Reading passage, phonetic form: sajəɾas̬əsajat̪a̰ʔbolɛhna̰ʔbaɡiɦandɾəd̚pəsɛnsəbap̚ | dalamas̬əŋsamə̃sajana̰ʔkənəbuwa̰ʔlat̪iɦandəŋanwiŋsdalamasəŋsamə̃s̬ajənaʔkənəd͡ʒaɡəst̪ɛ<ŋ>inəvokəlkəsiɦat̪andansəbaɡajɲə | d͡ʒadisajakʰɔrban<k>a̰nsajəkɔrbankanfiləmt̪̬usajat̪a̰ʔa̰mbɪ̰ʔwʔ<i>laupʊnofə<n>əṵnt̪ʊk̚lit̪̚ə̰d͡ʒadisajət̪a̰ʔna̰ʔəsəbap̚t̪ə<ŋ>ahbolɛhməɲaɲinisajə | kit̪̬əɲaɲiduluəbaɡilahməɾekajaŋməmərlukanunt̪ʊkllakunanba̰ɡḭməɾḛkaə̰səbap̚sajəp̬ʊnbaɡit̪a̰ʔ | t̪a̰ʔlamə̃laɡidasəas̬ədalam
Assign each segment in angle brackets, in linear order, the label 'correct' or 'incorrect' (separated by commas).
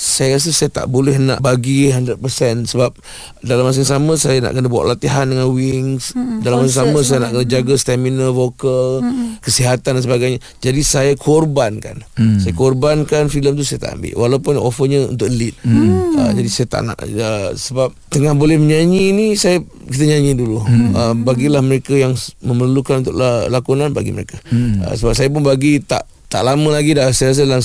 incorrect, correct, incorrect, incorrect, correct